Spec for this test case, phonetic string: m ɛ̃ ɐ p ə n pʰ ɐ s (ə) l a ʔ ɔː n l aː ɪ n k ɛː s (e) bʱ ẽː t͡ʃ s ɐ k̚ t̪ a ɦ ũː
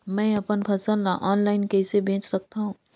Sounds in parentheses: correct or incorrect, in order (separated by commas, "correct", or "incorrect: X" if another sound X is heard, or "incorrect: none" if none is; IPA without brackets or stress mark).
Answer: correct, correct